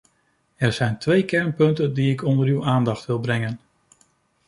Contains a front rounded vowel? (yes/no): yes